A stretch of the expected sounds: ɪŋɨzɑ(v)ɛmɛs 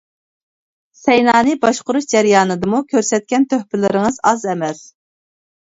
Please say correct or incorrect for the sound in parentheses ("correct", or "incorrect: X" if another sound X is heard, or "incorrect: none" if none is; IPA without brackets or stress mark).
incorrect: z